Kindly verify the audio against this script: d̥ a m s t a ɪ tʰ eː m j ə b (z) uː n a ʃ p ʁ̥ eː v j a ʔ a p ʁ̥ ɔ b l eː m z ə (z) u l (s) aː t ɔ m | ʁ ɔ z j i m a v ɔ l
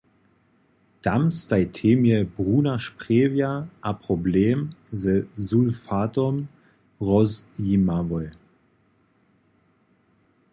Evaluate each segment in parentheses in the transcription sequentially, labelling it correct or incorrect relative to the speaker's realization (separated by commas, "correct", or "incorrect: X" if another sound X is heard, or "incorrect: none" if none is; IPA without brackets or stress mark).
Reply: incorrect: ʁ, correct, incorrect: f